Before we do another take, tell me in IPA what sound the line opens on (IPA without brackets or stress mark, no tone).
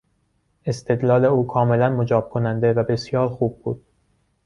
e̞